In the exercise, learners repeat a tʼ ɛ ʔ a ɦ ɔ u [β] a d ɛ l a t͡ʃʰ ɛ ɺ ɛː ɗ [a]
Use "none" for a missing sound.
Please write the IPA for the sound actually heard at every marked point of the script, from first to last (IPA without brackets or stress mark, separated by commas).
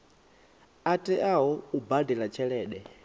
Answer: b, ɛ